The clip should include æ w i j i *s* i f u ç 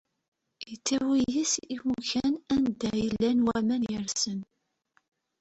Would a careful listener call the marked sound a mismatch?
no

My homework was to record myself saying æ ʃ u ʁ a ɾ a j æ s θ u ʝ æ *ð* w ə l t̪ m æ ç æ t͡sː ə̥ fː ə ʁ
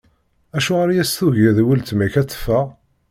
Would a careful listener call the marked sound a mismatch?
no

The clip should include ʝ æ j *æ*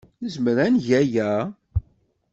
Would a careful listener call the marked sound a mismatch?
no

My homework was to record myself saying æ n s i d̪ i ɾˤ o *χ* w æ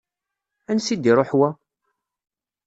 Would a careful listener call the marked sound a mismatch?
yes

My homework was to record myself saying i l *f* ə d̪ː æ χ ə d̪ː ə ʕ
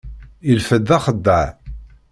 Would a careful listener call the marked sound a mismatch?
no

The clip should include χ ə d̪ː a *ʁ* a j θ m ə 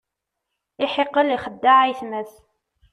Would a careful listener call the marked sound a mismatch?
yes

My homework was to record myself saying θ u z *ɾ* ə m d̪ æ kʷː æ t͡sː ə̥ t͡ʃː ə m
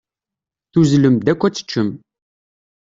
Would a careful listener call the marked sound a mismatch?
yes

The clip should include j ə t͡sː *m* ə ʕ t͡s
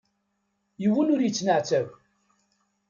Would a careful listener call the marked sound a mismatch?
yes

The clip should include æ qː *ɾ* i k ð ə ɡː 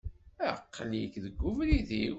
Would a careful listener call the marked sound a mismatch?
yes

